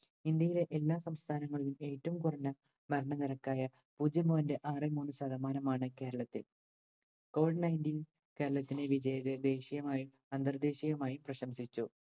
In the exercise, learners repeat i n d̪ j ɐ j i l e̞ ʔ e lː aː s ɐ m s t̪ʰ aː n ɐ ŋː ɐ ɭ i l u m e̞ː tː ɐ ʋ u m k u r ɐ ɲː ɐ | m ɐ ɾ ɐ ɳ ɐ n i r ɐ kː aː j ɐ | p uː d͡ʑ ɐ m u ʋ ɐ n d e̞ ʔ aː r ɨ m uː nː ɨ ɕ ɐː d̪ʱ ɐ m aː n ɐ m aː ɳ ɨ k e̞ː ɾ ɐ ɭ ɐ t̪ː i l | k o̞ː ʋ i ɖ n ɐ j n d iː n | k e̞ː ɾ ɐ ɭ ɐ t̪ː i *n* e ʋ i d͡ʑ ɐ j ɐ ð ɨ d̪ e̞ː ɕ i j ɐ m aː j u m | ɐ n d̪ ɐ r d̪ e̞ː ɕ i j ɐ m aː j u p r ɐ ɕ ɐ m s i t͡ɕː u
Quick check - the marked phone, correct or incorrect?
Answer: correct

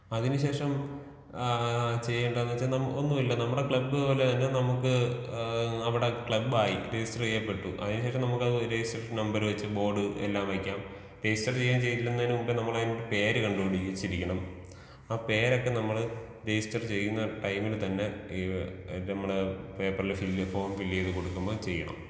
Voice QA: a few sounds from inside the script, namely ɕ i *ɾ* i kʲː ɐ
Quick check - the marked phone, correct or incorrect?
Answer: correct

